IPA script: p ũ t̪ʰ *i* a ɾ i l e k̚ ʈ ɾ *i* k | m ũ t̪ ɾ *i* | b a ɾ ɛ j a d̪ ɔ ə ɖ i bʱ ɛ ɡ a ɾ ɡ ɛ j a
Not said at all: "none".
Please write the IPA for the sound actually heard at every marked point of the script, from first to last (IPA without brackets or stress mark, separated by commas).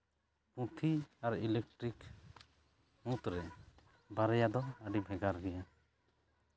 i, i, ɛ